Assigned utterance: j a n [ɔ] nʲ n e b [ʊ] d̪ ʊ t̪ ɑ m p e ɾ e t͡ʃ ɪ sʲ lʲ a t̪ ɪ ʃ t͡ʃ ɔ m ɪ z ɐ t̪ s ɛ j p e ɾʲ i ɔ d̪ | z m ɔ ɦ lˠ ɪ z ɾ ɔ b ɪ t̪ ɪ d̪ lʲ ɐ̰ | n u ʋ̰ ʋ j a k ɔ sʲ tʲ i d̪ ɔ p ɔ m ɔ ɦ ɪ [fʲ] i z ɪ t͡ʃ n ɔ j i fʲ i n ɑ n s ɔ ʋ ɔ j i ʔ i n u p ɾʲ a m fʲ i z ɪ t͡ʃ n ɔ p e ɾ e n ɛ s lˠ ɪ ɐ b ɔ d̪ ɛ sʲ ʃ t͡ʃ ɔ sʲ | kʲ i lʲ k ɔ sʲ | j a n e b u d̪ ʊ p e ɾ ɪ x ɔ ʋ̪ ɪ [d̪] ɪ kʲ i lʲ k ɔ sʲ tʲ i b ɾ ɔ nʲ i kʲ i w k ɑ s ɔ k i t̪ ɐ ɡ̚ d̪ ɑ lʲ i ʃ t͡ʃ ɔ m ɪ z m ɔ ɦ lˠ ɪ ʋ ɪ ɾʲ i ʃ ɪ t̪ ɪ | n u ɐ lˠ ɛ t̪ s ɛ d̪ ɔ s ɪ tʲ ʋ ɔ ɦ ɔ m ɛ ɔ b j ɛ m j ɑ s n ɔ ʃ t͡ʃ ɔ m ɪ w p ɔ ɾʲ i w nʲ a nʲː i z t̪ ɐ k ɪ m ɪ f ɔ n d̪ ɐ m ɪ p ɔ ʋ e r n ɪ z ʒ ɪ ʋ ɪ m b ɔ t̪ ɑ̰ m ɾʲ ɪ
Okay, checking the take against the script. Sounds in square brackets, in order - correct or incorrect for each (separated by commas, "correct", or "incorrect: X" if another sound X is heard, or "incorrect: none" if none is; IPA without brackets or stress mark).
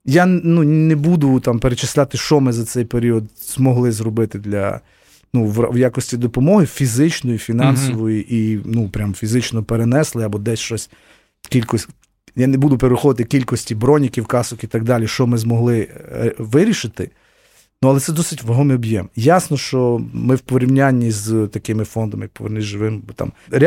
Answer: incorrect: u, incorrect: u, correct, incorrect: t̪